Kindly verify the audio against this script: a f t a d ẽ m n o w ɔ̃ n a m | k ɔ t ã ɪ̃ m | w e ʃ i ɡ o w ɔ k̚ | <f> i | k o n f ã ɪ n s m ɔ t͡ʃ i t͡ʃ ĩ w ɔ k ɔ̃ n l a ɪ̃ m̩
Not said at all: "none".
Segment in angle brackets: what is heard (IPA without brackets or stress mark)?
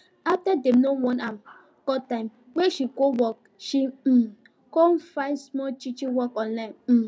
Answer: ʃ